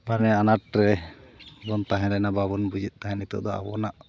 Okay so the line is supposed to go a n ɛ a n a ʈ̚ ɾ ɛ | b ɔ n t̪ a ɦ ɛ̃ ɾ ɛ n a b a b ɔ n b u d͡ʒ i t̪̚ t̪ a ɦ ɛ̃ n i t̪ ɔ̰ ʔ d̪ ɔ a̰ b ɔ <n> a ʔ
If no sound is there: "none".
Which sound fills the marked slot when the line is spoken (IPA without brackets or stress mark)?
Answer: n